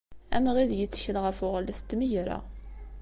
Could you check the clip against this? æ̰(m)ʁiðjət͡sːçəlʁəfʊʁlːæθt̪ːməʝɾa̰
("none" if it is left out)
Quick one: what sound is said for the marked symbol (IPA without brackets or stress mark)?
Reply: m